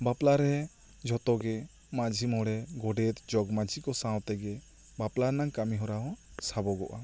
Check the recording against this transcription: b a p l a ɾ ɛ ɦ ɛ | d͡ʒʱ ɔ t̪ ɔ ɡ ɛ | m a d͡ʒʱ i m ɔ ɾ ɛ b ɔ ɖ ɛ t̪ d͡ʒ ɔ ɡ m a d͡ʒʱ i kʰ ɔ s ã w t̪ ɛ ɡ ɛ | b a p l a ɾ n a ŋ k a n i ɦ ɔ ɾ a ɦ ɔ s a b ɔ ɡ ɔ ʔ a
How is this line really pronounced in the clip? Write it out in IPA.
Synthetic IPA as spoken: b a p l a ɾ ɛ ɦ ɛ | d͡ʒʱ ɔ t̪ ɔ ɡ ɛ | m a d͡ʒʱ i m ɔ ɽ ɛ ɡ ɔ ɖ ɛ t̪ d͡ʒ ɔ ɡ m a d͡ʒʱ i k ɔ s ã w t̪ ɛ ɡ ɛ | b a p l a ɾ n a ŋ k a m i ɦ ɔ ɾ a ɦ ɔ s a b ɔ ɡ ɔ ʔ a